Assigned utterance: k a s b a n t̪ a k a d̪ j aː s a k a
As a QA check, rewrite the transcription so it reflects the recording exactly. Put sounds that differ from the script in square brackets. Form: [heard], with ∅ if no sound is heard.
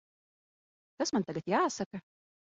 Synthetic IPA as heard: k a s [m] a n t̪ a [ɡ] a [t̪] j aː s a k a